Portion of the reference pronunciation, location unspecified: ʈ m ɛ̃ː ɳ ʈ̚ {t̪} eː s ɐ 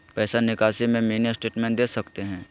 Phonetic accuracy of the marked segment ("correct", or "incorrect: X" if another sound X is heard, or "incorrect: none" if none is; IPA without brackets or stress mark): incorrect: d̪